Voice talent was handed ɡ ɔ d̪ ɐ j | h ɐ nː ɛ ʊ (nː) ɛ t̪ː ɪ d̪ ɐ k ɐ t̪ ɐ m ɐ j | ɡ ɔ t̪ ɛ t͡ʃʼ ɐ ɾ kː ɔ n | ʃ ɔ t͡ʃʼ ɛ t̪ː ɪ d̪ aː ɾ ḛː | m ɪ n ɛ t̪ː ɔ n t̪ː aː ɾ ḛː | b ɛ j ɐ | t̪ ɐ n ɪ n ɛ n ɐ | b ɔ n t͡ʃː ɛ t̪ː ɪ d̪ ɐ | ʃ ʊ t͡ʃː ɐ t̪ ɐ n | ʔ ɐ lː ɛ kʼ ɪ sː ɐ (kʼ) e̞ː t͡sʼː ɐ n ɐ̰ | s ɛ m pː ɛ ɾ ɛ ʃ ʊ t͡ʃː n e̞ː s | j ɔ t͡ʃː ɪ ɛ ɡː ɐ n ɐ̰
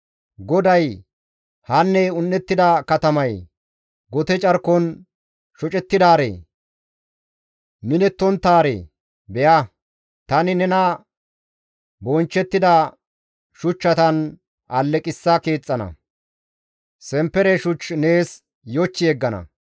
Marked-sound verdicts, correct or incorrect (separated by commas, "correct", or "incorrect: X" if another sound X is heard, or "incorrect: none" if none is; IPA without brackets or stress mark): correct, incorrect: k